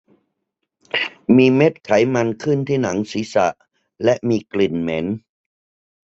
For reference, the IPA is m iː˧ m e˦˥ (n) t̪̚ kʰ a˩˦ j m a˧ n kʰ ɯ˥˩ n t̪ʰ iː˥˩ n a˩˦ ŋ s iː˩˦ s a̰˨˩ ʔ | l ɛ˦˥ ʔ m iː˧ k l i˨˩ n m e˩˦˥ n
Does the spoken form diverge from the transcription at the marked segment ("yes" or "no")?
yes